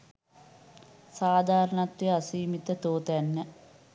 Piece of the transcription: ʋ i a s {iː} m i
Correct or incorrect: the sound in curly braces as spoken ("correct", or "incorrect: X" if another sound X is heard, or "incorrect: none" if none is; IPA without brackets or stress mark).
correct